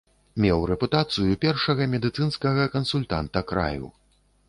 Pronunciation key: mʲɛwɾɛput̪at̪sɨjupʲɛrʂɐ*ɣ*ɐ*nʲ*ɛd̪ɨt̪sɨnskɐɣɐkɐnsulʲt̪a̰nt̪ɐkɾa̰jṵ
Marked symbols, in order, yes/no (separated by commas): yes, no